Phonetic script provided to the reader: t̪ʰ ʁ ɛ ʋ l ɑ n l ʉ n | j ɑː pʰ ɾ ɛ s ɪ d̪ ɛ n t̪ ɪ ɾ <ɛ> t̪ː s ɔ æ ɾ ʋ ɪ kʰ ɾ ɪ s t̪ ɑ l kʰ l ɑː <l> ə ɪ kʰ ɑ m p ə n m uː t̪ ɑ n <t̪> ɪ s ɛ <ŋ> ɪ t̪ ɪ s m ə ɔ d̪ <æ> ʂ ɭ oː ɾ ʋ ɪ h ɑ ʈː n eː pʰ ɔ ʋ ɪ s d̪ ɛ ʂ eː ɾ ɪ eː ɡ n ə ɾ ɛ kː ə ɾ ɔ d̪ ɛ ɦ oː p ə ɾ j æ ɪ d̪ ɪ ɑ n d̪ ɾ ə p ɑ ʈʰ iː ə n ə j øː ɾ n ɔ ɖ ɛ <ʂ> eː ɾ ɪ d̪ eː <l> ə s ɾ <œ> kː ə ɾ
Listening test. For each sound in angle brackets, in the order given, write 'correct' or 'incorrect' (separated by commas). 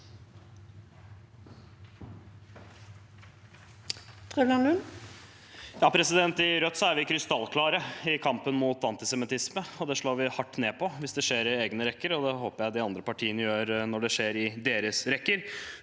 incorrect, incorrect, correct, incorrect, incorrect, correct, incorrect, incorrect